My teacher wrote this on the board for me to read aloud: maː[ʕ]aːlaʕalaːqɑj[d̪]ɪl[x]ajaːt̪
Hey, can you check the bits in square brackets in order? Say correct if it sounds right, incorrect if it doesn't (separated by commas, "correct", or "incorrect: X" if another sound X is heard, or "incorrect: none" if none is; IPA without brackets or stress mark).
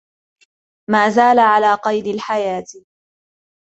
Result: incorrect: z, correct, incorrect: ħ